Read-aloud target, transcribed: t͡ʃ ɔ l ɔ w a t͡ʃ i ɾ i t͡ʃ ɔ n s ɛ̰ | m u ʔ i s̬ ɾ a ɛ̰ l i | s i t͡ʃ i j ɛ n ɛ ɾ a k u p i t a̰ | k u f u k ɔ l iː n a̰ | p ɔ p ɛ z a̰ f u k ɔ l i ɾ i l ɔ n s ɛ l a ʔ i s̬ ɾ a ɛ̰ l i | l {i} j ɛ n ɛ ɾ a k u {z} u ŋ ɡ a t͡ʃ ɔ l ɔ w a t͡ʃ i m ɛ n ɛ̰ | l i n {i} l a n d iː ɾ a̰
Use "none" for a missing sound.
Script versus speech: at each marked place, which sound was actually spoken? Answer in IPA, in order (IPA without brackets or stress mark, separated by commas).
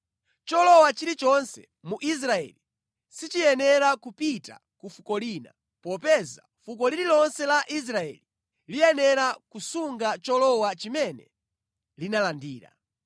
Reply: i, s, a